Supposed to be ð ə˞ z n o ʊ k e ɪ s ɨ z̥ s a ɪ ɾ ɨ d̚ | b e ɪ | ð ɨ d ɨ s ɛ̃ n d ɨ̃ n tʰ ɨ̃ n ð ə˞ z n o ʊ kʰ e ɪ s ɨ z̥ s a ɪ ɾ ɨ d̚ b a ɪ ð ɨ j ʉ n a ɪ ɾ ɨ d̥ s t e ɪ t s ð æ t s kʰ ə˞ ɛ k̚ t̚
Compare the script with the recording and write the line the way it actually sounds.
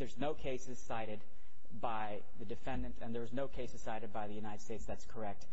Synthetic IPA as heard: ð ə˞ z n o ʊ kʰ e ɪ s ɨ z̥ s a ɪ ɾ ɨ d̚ | b a ɪ | ð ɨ d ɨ f ɛ̃ n d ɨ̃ n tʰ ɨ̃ n ð ə˞ z n o ʊ kʰ e ɪ s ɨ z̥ s a ɪ ɾ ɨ d̚ b a ɪ ð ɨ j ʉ n a ɪ ɾ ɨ d̥ s t e ɪ t s ð æ t s kʰ ə˞ ɛ k̚ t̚